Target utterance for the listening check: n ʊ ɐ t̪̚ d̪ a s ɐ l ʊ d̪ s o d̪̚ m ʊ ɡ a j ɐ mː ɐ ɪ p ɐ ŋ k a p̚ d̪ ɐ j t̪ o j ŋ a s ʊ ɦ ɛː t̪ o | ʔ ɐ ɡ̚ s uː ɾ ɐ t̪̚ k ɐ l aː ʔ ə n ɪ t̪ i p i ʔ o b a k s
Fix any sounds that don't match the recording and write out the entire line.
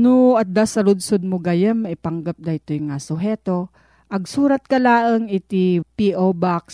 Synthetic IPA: n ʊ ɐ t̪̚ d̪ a s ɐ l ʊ d̪ s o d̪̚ m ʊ ɡ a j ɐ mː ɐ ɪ p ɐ ŋ ɡ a p̚ d̪ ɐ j t̪ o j ŋ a s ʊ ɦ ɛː t̪ o | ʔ ɐ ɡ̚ s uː ɾ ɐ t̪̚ k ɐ l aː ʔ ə ŋ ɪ t̪ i p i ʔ o b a k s